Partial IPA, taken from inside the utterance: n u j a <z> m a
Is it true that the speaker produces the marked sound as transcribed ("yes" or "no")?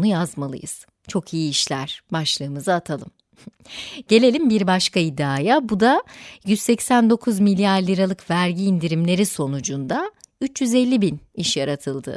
yes